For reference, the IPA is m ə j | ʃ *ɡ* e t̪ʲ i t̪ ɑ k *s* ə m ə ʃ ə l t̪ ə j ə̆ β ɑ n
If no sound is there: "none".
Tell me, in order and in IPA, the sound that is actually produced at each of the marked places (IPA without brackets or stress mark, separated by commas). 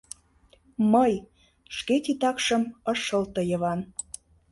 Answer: k, ʃ